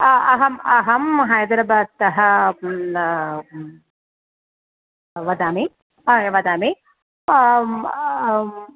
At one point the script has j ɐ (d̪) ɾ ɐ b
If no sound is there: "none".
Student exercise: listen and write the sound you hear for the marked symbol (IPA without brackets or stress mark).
d̪